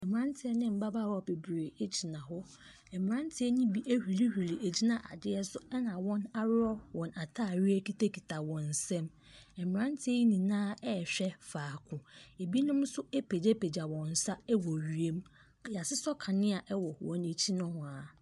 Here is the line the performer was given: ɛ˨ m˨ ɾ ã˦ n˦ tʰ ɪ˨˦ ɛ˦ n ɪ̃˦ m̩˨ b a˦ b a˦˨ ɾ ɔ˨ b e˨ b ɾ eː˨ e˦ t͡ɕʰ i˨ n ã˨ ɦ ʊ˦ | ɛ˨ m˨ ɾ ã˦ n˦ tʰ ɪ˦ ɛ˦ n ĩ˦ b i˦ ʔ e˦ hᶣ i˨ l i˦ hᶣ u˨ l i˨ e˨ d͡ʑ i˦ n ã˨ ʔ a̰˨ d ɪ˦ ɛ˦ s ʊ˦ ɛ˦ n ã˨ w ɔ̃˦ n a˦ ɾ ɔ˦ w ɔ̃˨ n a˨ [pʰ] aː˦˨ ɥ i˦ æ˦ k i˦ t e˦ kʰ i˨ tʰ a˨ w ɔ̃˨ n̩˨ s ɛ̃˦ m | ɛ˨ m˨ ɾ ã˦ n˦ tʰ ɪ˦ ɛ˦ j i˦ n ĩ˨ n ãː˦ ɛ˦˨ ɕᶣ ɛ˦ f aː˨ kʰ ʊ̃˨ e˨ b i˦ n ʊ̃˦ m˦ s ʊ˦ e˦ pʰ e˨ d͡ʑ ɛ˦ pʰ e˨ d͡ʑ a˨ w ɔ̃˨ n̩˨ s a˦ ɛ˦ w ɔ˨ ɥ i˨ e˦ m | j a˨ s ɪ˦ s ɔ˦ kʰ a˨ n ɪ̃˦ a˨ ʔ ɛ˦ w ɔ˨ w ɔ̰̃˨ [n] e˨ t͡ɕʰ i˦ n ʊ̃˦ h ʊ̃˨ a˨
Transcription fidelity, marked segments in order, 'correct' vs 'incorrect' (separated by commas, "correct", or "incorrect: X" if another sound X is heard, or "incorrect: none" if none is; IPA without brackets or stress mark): incorrect: tʰ, correct